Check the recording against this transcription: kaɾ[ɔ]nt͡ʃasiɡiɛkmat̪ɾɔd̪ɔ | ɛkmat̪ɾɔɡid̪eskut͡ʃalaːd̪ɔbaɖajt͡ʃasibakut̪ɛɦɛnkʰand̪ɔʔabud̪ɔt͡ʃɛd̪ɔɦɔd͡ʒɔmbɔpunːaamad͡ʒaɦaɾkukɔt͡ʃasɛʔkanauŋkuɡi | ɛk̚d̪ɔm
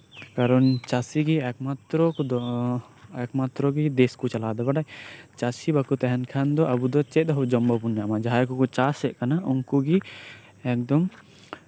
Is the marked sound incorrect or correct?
correct